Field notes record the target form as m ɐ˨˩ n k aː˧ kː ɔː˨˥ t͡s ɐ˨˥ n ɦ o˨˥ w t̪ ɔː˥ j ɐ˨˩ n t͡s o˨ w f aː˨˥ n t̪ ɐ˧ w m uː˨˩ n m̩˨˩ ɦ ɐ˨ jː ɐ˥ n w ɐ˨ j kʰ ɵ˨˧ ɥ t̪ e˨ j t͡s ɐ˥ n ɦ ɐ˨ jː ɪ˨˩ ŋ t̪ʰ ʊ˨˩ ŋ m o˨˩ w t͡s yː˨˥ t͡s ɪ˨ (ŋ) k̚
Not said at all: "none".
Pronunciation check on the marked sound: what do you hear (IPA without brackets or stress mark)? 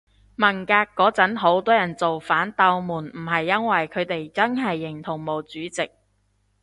none